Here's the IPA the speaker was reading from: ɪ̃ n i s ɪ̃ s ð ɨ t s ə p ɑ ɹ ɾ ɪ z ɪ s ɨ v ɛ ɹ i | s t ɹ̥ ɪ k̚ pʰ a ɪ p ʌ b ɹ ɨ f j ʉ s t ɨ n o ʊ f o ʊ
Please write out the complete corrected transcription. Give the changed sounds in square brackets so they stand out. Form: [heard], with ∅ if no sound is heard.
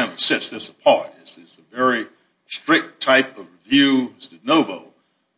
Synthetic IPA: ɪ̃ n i s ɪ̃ s ð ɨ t s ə [pʰ] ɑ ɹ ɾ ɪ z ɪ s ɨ v ɛ ɹ i | s t ɹ̥ ɪ k̚ [tʰ] a ɪ p ʌ [v] ɹ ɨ [v] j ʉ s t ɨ n o ʊ [v] o ʊ